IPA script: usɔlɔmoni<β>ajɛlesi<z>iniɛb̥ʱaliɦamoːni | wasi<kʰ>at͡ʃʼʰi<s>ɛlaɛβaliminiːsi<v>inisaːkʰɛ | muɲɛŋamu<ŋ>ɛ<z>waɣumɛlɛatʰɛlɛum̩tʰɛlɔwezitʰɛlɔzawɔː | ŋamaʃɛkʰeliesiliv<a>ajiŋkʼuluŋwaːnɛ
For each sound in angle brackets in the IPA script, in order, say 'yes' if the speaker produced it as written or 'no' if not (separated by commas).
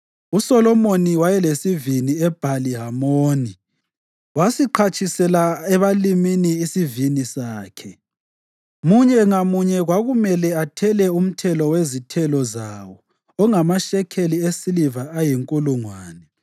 no, no, no, yes, yes, no, no, yes